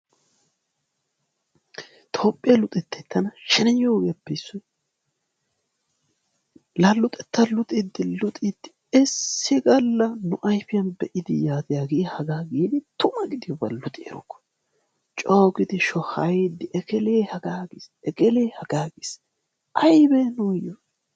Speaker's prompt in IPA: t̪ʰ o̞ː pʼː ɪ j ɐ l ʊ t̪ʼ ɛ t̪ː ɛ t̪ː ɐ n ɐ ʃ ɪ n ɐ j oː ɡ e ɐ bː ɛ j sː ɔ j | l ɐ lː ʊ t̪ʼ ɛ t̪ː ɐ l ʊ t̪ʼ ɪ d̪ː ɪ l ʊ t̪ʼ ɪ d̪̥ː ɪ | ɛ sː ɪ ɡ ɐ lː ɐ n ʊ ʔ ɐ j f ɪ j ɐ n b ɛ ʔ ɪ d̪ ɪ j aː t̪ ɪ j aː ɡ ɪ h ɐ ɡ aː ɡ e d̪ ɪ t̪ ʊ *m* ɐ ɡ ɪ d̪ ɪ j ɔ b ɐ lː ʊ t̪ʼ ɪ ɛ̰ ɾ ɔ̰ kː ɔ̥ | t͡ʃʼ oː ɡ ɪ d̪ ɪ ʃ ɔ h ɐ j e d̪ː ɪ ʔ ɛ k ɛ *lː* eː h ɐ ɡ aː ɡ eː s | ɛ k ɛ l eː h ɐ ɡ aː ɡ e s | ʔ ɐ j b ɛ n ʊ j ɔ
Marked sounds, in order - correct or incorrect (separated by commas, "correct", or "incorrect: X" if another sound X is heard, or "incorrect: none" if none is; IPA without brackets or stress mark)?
correct, incorrect: l